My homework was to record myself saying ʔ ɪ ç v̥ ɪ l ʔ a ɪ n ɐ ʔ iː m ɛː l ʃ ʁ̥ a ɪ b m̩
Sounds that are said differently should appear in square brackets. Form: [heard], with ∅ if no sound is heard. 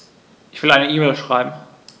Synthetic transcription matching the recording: ʔ ɪ ç v̥ ɪ l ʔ a ɪ n [ə] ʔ iː m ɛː l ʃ ʁ̥ a ɪ b m̩